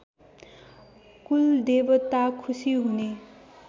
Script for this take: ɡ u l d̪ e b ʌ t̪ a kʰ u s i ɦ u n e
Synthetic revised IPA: k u l d̪ e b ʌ t̪ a kʰ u s i ɦ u n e